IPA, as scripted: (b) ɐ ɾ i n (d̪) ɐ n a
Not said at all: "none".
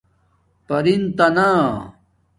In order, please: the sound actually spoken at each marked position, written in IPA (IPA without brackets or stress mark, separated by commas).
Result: p, t̪